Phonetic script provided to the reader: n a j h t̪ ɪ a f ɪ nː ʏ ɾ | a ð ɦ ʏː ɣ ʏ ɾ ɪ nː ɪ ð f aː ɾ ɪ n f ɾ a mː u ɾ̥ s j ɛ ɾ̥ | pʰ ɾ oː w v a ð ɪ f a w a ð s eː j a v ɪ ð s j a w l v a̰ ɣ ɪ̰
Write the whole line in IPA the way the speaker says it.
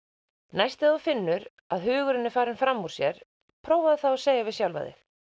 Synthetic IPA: n a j s t̪ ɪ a f ɪ nː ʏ ɾ | a ð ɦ ʏː ɣ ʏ ɾ ɪ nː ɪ f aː ɾ ɪ n f ɾ a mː u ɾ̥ s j ɛ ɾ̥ | pʰ ɾ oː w v a ð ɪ θ a w a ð s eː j a v ɪ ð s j a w l v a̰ ð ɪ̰